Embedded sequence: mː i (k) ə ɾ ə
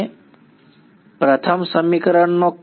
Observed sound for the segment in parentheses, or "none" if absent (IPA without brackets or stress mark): k